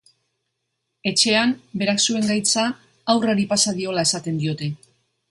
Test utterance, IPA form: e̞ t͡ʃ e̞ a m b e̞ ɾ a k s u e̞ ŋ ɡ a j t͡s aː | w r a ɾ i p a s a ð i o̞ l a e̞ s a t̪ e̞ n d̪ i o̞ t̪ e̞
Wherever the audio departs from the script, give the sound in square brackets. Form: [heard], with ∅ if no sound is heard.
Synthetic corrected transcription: e̞ t͡ʃ e̞ a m b e̞ ɾ a k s u e̞ ŋ ɡ a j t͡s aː | w r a ɾ i p a s a ð i o̞ l a e̞ s a t̪ e̞ n d̪ i o̞ t̪ e̞